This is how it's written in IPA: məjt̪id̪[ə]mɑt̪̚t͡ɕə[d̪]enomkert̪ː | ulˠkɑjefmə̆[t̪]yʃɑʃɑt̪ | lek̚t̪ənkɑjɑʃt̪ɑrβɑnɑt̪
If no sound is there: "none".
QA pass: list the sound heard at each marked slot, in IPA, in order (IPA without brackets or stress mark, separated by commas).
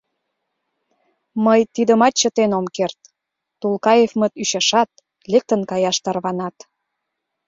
ə, t̪, t̪